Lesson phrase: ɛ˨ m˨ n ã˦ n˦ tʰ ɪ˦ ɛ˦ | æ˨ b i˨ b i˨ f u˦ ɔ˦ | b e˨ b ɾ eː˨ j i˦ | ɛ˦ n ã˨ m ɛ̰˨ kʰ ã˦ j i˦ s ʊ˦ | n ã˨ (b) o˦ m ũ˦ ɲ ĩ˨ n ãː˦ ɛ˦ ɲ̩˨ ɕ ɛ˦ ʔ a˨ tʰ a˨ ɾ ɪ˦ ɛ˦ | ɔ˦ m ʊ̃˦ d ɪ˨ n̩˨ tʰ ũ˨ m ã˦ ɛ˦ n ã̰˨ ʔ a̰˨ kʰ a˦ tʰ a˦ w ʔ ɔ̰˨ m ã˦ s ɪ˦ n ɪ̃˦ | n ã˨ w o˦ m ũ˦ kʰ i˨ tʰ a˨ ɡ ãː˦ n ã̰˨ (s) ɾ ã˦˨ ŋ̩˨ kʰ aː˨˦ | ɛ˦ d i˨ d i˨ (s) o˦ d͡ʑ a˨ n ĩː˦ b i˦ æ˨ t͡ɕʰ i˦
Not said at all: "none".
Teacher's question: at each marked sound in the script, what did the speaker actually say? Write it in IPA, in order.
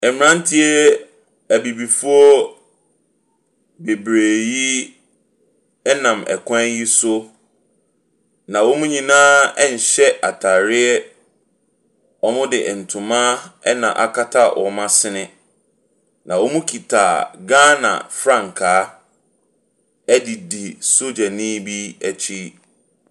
w, f, s

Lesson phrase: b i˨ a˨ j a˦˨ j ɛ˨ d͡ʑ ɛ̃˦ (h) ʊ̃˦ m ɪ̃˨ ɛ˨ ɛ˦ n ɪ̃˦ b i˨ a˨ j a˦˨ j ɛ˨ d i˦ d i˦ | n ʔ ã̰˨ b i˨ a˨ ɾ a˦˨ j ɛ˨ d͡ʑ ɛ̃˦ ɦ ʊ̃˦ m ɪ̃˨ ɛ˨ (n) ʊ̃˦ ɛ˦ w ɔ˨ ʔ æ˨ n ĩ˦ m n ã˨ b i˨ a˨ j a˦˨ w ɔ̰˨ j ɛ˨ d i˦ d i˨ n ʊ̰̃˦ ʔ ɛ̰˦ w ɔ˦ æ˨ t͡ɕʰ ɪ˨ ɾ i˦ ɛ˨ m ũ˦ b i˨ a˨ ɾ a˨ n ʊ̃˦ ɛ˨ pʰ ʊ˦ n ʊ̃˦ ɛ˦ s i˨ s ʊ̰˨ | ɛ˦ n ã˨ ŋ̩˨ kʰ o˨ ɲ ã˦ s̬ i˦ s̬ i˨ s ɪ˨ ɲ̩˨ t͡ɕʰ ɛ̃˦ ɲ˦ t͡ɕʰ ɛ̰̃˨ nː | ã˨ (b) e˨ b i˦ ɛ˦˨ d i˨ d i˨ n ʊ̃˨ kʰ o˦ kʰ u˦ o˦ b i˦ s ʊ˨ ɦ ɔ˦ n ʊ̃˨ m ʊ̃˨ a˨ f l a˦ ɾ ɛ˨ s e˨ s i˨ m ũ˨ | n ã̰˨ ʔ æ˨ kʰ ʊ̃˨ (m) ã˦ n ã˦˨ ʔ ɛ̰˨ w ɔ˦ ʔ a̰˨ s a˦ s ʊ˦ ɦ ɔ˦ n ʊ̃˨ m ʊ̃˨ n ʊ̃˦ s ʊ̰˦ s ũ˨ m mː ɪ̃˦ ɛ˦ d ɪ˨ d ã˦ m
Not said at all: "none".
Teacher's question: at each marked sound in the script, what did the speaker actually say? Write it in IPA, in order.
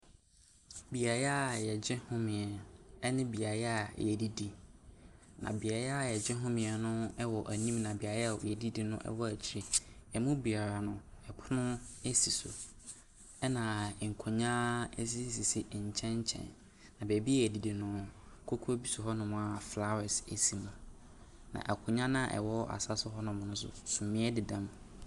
h, n, b, ɲ

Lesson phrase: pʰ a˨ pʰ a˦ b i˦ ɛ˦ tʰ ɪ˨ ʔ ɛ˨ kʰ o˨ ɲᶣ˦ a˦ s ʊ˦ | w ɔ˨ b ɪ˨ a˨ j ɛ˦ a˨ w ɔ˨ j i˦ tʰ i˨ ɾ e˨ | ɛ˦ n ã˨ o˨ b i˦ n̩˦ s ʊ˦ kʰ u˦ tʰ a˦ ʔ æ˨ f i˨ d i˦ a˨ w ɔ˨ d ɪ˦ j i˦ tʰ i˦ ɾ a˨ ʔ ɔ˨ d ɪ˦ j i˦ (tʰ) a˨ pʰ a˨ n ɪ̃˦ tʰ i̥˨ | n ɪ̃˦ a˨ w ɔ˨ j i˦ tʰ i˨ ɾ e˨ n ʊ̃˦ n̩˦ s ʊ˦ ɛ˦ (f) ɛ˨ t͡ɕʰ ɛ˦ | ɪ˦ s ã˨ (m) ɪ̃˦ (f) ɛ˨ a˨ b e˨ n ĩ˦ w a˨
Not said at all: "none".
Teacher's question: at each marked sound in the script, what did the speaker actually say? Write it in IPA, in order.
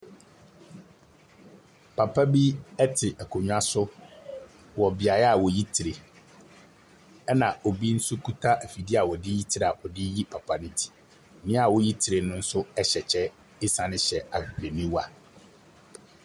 pʰ, ɕ, n, ɕ

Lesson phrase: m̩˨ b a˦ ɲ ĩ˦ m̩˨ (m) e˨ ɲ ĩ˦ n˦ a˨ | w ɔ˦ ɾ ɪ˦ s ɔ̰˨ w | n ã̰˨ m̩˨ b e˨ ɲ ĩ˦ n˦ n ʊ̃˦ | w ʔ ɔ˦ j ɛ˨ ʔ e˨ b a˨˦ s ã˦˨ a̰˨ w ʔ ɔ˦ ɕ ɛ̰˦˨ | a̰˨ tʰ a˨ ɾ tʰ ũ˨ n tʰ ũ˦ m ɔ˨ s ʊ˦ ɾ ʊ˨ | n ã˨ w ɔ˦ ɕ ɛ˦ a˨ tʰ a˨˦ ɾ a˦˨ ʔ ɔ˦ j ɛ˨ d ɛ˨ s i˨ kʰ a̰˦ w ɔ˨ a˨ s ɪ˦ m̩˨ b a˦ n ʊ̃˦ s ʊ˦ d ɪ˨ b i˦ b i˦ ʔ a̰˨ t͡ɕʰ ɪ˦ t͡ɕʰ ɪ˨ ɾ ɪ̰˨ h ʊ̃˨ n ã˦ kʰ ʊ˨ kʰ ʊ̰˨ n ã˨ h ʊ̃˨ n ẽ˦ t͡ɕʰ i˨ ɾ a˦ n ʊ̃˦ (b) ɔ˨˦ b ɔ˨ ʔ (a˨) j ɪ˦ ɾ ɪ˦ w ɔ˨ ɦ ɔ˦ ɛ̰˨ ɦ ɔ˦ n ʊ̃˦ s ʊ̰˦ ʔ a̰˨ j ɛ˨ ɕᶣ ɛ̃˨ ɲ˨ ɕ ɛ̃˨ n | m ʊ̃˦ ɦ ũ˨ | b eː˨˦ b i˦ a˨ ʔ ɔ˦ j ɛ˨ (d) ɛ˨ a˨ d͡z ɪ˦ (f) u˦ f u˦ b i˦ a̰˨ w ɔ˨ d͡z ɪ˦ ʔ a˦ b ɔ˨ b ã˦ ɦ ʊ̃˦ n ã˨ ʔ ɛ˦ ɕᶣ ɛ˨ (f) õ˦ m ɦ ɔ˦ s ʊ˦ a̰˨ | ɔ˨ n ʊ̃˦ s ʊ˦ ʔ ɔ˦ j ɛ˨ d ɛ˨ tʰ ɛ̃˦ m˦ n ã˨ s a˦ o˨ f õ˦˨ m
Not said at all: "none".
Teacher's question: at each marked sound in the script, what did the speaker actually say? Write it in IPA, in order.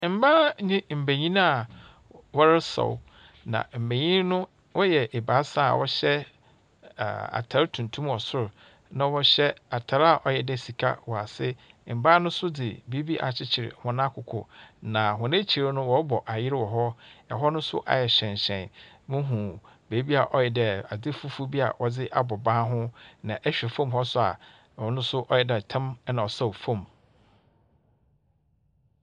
b, w, a˨, d, f, f

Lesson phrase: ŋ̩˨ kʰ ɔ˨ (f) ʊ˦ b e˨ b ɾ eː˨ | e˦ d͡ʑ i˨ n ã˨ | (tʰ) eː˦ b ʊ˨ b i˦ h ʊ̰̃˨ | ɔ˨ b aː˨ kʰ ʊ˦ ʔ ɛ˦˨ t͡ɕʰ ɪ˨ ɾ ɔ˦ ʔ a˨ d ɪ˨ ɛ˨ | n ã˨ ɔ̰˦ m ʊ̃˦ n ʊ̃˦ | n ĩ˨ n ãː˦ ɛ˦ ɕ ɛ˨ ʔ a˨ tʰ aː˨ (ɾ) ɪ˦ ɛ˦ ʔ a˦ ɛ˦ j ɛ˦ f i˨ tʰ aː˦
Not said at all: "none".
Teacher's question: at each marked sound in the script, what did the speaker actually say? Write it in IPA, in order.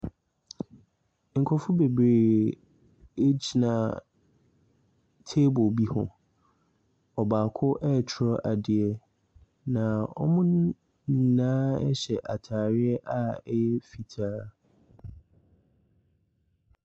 f, tʰ, ɾ

